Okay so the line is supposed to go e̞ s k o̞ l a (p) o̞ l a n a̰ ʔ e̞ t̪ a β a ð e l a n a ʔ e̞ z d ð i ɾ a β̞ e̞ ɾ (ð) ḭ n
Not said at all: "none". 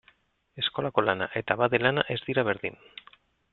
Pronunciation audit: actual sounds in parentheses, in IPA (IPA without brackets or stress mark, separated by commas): k, ð